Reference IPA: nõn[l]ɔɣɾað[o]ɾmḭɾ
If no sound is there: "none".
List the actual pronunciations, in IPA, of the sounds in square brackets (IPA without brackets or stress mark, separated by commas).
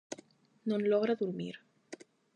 l, u